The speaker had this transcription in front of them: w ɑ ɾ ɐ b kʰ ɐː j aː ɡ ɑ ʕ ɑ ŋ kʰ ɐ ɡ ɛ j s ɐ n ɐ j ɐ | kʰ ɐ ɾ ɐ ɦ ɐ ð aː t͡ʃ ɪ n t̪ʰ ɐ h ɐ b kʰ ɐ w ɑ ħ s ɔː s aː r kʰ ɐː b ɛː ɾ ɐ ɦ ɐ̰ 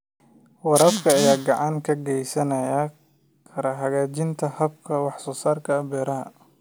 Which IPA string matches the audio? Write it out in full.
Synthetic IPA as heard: w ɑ ɾ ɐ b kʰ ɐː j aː ɡ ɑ ʕ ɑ ŋ kʰ ɐ ɡ ɛ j s ɐ n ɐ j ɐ | kʰ ɐ ɾ ɐ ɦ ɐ ɣ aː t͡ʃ ɪ n t̪ʰ ɐ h ɐ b kʰ ɐ w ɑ ħ s ɔː s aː r kʰ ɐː b ɛː ɾ ɐ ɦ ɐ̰

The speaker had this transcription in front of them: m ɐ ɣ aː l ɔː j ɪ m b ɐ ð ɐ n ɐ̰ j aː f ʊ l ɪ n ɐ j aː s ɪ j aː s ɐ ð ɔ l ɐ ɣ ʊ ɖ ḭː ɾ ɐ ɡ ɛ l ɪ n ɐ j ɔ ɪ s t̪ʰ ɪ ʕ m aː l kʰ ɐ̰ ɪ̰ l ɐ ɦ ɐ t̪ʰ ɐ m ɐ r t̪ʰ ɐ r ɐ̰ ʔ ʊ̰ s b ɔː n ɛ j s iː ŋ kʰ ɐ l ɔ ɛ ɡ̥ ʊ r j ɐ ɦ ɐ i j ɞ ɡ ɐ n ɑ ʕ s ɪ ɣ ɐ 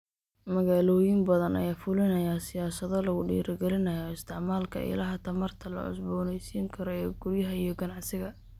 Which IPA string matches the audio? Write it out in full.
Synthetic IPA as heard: m ɐ ɣ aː l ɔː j ɪ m b ɐ ð ɐ n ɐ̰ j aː f ʊ l ɪ n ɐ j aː s ɪ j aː s ɐ ð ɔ l ɐ ɣ ʊ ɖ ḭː ɾ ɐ ɡ ɛ l ɪ n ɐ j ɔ ɪ s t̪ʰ ɪ ʕ m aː l kʰ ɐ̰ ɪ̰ l ɐ ɦ ɐ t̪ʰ ɐ m ɐ r t̪ʰ ɐ l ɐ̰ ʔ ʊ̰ s b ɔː n ɛ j s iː ŋ kʰ ɐ ɾ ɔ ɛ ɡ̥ ʊ r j ɐ ɦ ɐ i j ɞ ɡ ɐ n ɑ ʕ s ɪ ɣ ɐ

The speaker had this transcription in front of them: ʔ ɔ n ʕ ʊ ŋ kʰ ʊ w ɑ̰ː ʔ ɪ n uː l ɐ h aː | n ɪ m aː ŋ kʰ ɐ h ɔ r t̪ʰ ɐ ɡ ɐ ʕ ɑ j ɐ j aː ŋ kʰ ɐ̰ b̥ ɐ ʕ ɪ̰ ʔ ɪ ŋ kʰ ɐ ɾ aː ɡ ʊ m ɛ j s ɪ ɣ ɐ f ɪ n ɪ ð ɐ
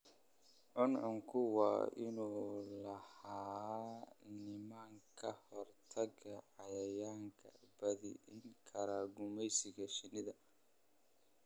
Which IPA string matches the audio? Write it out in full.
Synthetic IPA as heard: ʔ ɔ n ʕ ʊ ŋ kʰ ʊ w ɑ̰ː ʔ ɪ n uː l ɐ h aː | n ɪ m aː ŋ kʰ ɐ h ɔ r t̪ʰ ɐ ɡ ɐ ʕ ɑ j ɐ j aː ŋ kʰ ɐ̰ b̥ ɐ ð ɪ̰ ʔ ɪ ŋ kʰ ɐ ɾ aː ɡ ʊ m ɛ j s ɪ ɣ ɐ ʃ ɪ n ɪ ð ɐ

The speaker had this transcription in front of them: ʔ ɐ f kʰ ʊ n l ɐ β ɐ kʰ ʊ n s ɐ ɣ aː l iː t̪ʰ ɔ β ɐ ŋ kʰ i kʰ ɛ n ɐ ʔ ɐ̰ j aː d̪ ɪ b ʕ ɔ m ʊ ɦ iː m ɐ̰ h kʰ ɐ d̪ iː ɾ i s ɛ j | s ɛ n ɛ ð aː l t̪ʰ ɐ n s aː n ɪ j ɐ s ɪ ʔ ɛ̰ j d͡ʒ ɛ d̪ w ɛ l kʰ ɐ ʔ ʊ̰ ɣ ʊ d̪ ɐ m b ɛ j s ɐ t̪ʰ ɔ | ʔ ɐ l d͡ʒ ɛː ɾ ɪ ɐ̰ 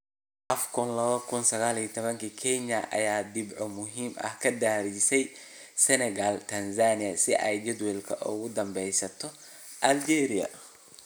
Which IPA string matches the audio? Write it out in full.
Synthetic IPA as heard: ʔ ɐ f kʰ ʊ n l ɐ β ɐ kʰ ʊ n s ɐ ɣ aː l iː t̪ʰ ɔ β ɐ ŋ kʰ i kʰ ɛ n ɐ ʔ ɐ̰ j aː d̪ ɪ b ʕ ɔ m ʊ ɦ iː m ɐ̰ h kʰ ɐ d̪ aː ɾ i s ɛ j | s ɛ n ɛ ɣ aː l t̪ʰ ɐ n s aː n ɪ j ɐ s ɪ ʔ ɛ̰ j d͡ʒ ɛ d̪ w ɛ l kʰ ɐ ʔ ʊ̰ ɣ ʊ d̪ ɐ m b ɛ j s ɐ t̪ʰ ɔ | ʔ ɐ l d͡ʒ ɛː ɾ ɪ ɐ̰

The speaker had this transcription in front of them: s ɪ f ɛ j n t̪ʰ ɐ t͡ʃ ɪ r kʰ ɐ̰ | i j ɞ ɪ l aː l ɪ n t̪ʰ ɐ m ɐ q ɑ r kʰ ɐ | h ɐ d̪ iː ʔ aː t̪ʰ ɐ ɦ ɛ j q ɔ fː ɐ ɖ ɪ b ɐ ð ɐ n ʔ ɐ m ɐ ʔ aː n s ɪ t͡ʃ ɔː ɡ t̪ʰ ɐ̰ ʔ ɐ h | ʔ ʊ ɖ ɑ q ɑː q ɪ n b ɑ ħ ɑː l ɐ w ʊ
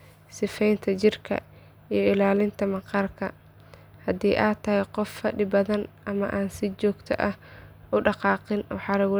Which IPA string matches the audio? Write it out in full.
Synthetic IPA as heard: s ɪ f ɛ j n t̪ʰ ɐ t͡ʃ ɪ r kʰ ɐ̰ | i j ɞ ɪ l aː l ɪ n t̪ʰ ɐ m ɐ q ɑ r kʰ ɐ | h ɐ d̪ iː ʔ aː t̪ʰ ɐ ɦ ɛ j q ɔ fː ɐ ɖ ɪ b ɐ ð ɐ n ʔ ɐ m ɐ ʔ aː n s ɪ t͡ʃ ɔː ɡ t̪ʰ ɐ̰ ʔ ɐ h | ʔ ʊ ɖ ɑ q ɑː q ɪ n w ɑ ħ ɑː l ɐ ɣ ʊ

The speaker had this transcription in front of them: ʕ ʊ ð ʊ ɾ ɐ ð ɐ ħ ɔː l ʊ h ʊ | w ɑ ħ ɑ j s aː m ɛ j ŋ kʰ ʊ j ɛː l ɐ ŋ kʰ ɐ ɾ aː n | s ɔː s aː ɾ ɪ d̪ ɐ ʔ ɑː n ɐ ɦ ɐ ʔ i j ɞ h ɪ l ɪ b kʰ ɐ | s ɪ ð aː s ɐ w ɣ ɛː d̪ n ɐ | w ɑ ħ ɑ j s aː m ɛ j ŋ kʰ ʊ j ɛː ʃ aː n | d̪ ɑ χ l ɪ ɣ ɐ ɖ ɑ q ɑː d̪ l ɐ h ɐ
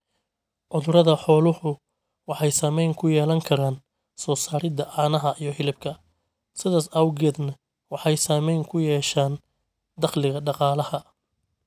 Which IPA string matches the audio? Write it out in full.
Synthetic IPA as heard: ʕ ʊ ð ʊ ɾ ɐ ð ɐ ħ ɔː l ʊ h ʊ | w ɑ ħ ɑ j s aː m ɛ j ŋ kʰ ʊ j ɛː l ɐ ŋ kʰ ɐ ɾ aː n | s ɔː s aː ɾ ɪ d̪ ɐ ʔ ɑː n ɐ ɦ ɐ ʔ i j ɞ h ɪ l ɪ b kʰ ɐ | s ɪ ð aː s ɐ w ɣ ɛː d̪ n ɐ | w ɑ ħ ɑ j s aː m ɛ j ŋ kʰ ʊ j ɛː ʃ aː n | d̪ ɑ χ l ɪ ɣ ɐ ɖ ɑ q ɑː l ɐ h ɐ

